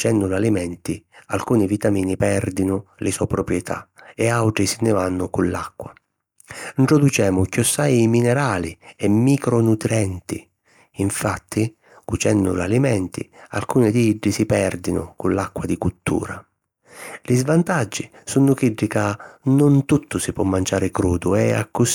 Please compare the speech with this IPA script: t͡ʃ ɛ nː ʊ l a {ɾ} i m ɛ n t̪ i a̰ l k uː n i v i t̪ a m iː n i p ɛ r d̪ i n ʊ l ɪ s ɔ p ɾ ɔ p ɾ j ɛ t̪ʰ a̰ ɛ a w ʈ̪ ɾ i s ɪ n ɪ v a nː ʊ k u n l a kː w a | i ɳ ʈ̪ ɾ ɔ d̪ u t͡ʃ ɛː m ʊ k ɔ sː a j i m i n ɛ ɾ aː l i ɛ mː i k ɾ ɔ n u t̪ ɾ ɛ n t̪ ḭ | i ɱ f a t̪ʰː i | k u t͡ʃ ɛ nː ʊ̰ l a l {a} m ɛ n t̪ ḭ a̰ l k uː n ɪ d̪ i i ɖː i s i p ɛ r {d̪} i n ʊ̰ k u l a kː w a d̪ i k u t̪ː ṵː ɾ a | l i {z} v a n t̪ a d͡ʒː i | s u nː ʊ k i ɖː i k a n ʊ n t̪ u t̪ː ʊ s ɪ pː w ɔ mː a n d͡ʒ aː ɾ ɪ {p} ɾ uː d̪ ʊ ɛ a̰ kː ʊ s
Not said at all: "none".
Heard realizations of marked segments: l, i, d̪, z, k

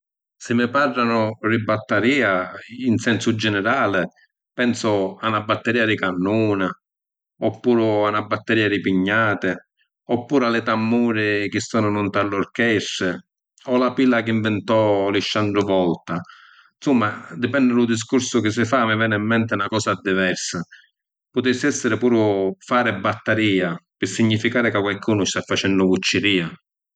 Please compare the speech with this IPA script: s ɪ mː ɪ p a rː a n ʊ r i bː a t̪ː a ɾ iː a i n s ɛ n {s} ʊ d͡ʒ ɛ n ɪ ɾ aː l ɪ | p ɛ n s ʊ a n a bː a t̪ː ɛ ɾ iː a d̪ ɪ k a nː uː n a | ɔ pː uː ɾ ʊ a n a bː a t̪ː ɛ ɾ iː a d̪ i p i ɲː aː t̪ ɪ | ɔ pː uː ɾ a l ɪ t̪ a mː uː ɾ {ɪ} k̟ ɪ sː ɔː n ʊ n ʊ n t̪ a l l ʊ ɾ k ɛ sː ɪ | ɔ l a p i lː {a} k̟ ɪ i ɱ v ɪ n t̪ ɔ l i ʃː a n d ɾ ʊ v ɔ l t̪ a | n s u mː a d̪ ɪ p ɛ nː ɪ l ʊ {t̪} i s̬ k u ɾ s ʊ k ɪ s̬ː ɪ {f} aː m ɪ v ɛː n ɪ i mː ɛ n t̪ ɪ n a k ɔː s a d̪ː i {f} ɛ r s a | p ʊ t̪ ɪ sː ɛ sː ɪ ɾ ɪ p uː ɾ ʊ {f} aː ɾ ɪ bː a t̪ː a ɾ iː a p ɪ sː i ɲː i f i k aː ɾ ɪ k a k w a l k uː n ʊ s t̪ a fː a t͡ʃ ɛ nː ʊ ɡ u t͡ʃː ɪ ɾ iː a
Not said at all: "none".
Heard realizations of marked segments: s, ɪ, a, d̪, f, v, f

